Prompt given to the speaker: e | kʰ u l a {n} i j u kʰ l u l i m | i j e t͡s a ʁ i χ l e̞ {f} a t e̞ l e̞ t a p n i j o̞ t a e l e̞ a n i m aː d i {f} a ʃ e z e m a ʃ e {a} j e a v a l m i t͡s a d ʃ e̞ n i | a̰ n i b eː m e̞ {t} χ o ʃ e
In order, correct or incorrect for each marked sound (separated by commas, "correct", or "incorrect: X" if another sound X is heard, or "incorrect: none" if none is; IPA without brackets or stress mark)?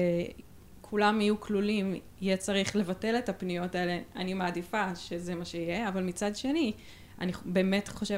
incorrect: m, incorrect: v, correct, incorrect: i, correct